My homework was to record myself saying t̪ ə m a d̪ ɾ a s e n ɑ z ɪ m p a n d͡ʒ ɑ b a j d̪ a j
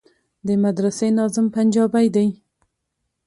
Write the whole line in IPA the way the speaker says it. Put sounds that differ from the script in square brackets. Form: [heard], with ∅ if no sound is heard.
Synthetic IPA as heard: [d̪] ə m a d̪ ɾ a s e n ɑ z ɪ m p a n d͡ʒ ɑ b a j d̪ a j